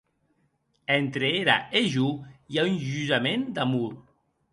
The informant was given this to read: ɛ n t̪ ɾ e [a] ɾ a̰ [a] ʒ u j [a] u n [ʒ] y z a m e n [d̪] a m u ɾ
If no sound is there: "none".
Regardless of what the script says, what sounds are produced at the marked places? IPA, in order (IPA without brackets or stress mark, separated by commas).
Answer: e, e, a, ʒ, d̪